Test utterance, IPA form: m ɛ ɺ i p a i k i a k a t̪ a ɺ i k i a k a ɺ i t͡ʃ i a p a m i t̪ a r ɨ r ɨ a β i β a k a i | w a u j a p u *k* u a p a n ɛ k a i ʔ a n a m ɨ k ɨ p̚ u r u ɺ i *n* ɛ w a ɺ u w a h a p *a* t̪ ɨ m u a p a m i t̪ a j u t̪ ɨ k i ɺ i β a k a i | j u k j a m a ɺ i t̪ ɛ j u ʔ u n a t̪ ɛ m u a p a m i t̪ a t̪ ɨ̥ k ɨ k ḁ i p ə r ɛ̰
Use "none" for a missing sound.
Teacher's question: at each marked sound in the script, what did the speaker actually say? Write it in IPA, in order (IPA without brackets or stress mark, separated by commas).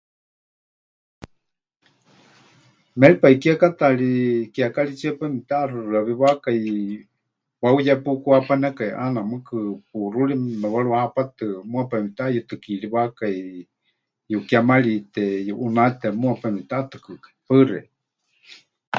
k, m, a